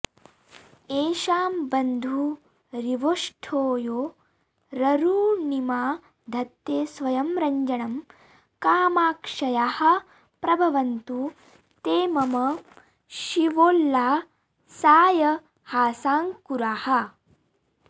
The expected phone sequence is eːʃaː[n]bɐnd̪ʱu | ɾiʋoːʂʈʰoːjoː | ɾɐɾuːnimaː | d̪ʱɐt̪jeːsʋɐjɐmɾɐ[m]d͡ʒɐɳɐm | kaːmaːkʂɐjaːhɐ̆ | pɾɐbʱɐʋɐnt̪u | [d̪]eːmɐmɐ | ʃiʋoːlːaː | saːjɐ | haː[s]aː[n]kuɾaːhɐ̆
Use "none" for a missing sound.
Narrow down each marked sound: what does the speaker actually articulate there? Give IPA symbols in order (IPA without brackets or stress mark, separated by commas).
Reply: m, ɲ, t̪, s, ŋ